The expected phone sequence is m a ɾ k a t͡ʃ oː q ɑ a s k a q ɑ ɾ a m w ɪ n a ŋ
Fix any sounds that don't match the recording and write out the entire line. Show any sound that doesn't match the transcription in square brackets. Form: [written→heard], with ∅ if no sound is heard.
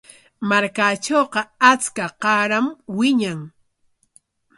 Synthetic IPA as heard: m a ɾ k a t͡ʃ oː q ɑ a [s→t͡s] k a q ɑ ɾ a m w ɪ [n→ɲ] a ŋ